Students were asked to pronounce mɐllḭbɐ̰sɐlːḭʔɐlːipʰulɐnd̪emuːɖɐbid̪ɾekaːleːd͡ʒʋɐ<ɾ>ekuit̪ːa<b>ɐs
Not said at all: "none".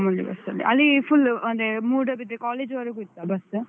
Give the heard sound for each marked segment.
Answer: ɾ, b

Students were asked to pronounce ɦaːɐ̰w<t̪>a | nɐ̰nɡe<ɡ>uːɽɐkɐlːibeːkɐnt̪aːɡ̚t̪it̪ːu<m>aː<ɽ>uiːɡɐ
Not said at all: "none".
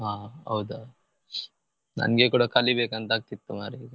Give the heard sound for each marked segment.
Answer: d̪, k, m, ɾ

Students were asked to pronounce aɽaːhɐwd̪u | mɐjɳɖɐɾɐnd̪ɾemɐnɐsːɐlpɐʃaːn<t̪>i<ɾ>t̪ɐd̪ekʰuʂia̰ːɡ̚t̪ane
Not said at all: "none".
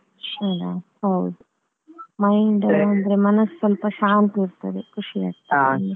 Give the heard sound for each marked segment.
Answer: t̪, ɾ

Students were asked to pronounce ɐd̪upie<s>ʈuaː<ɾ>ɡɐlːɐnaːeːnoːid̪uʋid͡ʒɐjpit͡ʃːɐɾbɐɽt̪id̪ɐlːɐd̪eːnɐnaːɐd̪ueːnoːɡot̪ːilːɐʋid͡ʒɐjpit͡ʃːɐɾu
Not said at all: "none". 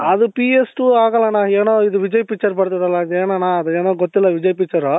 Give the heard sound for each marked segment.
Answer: s, none

